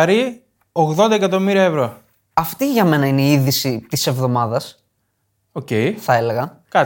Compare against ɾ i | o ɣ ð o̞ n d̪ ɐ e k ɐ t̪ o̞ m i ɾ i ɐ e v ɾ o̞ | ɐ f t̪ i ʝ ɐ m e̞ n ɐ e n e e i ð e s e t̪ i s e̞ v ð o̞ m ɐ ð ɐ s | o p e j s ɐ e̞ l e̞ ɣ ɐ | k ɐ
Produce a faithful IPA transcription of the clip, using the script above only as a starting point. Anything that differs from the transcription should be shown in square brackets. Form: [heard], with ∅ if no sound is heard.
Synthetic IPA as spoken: ɾ i | o ɣ ð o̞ n d̪ ɐ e k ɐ t̪ o̞ m i ɾ i ɐ e v ɾ o̞ | ɐ f t̪ i ʝ ɐ m e̞ n ɐ [i] n e [i] i ð [i] s [i] t̪ i s e̞ v ð o̞ m ɐ ð ɐ s | o [c] e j [θ] ɐ e̞ l e̞ ɣ ɐ | k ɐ